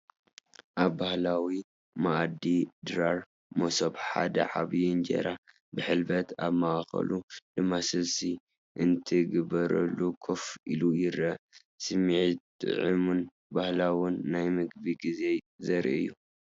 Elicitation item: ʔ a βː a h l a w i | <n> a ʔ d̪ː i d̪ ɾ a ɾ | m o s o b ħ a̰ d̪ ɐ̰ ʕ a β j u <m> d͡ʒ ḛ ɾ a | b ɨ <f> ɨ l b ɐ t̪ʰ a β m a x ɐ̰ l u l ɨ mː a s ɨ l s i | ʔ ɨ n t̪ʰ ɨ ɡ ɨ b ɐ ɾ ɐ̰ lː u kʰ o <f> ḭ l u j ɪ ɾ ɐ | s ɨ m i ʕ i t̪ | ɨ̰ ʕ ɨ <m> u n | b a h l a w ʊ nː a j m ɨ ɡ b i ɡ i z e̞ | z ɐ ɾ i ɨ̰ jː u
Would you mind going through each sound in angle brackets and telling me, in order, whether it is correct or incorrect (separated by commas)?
incorrect, incorrect, incorrect, correct, correct